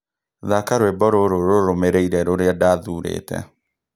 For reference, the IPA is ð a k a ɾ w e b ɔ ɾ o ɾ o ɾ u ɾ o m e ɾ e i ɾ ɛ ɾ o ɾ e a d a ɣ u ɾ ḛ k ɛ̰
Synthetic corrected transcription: ð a k a ɾ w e b ɔ ɾ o ɾ o ɾ o ɾ o m e ɾ e i ɾ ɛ ɾ o ɾ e a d a ð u ɾ ḛ t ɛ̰